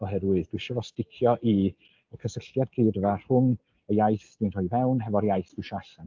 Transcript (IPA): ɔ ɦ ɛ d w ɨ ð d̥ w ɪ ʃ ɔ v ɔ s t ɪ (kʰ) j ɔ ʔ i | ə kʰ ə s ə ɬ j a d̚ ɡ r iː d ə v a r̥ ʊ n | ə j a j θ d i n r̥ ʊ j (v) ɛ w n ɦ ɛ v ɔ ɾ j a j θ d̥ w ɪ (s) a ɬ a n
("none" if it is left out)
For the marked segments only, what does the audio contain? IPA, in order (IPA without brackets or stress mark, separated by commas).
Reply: kʰ, v, ʃ